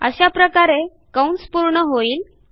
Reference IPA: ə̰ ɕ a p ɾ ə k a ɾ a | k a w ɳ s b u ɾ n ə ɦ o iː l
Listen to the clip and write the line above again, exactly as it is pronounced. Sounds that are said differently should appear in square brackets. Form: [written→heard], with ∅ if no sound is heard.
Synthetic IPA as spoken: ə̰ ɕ a p ɾ ə k a ɾ [a→e] | k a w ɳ s [b→p] u ɾ [n→ɳ] ə ɦ o iː l